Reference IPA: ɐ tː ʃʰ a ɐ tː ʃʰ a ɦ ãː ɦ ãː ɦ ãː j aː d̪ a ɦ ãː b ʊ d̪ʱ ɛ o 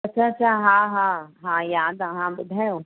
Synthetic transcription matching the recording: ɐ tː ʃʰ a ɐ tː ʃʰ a ɦ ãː ɦ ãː ɦ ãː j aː d̪ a ɦ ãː b ʊ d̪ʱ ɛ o